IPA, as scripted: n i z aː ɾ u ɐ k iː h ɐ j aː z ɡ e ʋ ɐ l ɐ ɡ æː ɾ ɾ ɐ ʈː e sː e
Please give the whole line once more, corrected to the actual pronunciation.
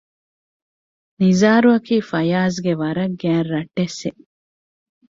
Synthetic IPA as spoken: n i z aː ɾ u ɐ k iː f ɐ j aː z ɡ e ʋ ɐ ɾ ɐ ɡ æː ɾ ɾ ɐ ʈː e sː e